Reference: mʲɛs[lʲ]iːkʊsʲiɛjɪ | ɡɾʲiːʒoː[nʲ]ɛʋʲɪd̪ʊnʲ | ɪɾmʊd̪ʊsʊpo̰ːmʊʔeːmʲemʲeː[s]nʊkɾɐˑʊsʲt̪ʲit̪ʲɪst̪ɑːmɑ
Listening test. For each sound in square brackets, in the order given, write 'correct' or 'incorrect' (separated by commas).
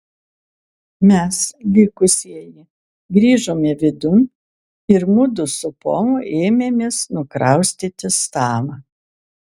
correct, incorrect, correct